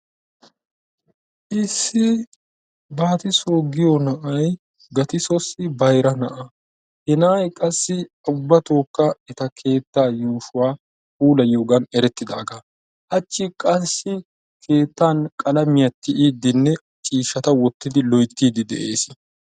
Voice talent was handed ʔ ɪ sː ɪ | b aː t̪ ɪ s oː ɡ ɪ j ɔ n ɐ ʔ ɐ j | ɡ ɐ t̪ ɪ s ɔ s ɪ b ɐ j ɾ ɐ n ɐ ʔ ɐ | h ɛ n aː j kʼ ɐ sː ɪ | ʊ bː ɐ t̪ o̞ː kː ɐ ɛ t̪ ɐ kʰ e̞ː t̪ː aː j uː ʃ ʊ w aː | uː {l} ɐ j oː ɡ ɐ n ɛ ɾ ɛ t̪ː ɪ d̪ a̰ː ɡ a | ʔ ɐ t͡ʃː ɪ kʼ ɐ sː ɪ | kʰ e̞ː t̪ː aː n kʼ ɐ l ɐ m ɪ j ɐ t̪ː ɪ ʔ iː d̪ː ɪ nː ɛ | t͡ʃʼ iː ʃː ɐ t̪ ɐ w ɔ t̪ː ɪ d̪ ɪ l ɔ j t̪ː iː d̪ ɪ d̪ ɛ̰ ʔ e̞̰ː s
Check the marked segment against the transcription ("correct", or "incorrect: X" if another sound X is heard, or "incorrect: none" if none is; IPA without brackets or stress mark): correct